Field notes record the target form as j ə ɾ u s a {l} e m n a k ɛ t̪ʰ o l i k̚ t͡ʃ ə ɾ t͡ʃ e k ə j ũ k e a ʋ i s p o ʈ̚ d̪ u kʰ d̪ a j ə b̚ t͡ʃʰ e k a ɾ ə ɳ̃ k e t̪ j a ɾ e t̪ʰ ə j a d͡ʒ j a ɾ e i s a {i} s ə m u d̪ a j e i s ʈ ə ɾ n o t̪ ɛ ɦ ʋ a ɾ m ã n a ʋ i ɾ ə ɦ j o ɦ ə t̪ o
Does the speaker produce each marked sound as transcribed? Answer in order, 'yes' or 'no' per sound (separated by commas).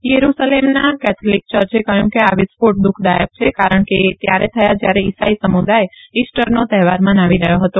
yes, yes